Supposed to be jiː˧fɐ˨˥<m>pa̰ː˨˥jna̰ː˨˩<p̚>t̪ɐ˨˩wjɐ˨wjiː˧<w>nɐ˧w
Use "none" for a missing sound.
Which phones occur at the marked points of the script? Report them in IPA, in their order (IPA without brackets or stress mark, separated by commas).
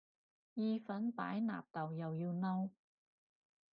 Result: n, p̚, w